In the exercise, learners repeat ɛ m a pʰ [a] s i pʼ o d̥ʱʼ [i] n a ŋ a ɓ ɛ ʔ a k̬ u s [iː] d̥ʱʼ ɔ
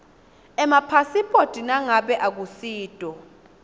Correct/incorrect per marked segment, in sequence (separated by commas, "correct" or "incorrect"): correct, correct, correct